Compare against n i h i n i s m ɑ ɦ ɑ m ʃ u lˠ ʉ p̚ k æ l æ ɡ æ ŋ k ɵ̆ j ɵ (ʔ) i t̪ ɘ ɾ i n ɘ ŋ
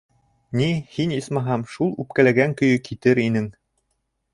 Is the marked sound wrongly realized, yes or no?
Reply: yes